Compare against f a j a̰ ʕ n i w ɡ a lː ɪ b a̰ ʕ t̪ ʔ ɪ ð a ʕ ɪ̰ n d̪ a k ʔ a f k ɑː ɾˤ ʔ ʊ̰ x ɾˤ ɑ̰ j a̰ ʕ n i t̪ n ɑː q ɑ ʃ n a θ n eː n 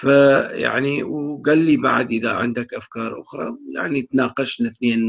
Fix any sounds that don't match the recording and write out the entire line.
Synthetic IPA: f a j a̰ ʕ n i w ɡ a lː i b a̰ ʕ d̪ ʔ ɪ ð a ʕ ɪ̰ n d̪ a k ʔ a f k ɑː ɾˤ ʔ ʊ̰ x ɾˤ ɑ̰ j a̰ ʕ n i t̪ n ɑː q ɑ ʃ n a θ n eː n